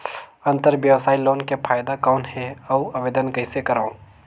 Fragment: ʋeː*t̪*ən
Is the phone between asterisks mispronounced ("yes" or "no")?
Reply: yes